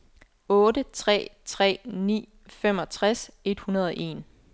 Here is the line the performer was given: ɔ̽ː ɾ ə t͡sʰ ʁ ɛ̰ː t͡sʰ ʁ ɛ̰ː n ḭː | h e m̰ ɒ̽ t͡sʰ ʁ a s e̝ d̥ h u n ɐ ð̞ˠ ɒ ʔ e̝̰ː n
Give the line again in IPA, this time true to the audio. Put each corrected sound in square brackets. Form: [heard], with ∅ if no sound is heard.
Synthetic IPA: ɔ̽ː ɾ ə t͡sʰ ʁ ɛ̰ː t͡sʰ ʁ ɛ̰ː n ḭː | [f] e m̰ ɒ̽ t͡sʰ ʁ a s e̝ d̥ h u n ɐ ð̞ˠ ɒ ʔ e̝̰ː n

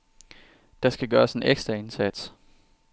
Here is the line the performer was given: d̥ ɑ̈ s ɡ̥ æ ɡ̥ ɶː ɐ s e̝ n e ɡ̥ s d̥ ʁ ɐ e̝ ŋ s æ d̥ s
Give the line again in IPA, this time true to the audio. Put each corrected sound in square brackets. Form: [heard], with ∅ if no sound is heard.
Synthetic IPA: d̥ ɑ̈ s ɡ̥ æ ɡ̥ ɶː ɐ s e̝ n e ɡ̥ s d̥ ʁ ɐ e̝ [n] s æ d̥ s

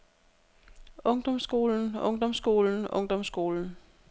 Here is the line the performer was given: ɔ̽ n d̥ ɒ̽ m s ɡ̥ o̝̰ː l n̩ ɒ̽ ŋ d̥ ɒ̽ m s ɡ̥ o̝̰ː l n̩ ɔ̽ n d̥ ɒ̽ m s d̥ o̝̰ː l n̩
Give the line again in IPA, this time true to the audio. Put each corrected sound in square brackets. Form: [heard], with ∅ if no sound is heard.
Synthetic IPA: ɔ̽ [ŋ] d̥ ɒ̽ m s ɡ̥ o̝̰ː l n̩ [ɔ̽] ŋ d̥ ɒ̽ m s ɡ̥ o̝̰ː l n̩ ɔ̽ [ŋ] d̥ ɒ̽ m s [ɡ̥] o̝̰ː l n̩

